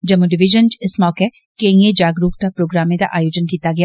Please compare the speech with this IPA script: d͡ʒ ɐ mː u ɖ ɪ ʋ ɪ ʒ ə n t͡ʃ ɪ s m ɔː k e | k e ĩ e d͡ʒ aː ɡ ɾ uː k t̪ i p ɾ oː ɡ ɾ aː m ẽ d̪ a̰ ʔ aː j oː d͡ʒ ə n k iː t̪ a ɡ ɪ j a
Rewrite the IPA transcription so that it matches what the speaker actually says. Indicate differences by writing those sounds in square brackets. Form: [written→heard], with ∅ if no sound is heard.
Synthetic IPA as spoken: d͡ʒ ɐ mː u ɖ ɪ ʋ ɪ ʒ ə n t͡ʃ ɪ s m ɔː k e | k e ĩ e d͡ʒ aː ɡ ɾ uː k t̪ [i→a] p ɾ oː ɡ ɾ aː m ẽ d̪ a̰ ʔ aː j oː d͡ʒ ə n k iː t̪ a ɡ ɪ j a